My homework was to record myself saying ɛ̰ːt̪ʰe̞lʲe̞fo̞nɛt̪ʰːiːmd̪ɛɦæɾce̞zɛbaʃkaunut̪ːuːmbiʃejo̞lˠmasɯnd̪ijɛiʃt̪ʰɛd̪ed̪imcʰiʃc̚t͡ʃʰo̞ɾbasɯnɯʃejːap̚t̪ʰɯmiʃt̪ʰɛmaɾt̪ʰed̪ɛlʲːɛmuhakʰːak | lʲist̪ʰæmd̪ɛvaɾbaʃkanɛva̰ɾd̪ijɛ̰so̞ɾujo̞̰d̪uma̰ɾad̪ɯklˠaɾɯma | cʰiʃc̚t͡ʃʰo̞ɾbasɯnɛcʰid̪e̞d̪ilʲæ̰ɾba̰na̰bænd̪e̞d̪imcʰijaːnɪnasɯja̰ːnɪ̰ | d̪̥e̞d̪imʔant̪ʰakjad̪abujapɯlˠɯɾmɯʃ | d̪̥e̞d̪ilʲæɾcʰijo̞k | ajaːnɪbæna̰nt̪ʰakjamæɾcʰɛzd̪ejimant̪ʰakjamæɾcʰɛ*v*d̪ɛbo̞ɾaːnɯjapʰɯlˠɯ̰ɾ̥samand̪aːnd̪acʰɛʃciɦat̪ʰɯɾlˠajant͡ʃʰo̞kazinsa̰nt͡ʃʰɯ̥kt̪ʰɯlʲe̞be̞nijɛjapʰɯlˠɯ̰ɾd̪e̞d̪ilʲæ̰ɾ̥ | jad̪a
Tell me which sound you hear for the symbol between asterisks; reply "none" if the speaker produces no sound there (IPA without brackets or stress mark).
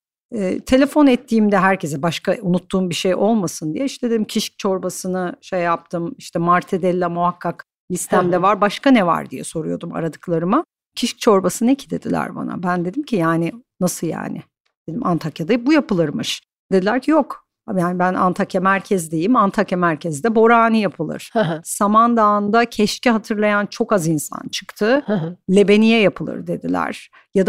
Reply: z